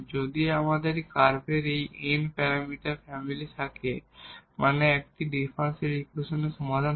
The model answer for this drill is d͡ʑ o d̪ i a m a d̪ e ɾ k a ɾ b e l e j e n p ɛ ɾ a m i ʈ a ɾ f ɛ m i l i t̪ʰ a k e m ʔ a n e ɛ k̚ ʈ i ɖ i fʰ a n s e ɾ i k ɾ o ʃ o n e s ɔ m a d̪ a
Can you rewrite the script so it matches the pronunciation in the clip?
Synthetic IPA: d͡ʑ o d̪ i a m a d̪ e ɾ k a ɾ b e ɾ e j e n p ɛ ɾ a m i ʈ a ɾ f ɛ m i l i t̪ʰ a k e m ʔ a n e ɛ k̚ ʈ i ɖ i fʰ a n s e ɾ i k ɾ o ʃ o n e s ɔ m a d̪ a